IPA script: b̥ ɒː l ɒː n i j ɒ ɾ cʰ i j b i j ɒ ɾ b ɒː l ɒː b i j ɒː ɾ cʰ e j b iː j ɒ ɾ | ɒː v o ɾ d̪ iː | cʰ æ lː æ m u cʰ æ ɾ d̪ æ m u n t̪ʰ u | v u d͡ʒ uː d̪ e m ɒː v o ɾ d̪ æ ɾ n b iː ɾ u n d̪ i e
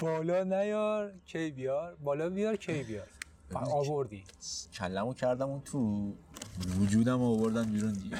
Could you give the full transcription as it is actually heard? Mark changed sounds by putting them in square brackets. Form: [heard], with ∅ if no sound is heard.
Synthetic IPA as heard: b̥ ɒː l ɒː n [æ] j ɒ ɾ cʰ [e] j b i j ɒ ɾ b ɒː l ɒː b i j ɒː ɾ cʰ e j b [i] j ɒ ɾ | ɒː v o ɾ d̪ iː | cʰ æ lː æ m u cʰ æ ɾ d̪ æ m u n t̪ʰ u | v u d͡ʒ uː d̪ [æ] m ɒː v o ɾ d̪ æ [∅] n b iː ɾ u n d̪ i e